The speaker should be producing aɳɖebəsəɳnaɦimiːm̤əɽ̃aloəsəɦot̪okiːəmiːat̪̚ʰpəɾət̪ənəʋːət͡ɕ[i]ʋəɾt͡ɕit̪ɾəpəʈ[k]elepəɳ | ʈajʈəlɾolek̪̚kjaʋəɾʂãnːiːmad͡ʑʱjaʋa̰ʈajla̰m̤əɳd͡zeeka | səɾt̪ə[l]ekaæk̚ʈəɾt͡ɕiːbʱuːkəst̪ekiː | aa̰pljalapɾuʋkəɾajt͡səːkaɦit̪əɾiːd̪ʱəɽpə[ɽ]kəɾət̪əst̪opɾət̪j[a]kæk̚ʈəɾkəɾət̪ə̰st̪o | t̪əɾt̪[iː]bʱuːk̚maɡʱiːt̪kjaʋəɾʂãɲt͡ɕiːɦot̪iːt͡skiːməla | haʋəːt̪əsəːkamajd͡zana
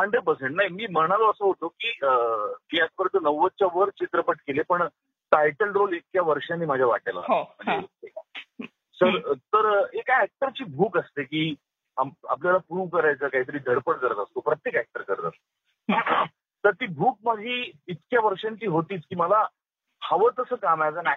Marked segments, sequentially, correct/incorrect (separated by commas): incorrect, correct, incorrect, correct, incorrect, correct